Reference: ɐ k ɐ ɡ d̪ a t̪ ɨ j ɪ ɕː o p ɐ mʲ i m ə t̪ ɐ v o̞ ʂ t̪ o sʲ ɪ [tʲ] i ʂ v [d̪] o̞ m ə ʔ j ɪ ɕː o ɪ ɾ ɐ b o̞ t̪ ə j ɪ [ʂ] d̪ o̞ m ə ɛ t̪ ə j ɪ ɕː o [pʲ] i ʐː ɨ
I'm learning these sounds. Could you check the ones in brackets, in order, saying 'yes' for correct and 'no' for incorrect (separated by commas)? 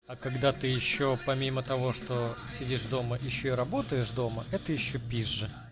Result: no, yes, yes, yes